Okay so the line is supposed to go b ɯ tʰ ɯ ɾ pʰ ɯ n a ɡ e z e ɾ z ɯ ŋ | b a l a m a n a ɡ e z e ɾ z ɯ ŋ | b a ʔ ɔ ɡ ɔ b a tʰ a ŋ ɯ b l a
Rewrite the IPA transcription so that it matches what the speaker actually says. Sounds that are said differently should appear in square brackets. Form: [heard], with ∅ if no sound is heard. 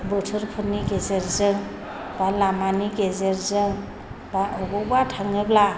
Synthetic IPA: b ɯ tʰ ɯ ɾ pʰ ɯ n [i] ɡ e z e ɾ z ɯ ŋ | b a l a m a n [i] ɡ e z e ɾ z ɯ ŋ | b a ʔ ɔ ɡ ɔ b a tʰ a ŋ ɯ b l a